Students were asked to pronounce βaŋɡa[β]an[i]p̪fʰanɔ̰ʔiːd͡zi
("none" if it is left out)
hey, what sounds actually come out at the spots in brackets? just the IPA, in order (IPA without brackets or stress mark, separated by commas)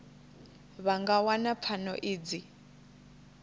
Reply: w, a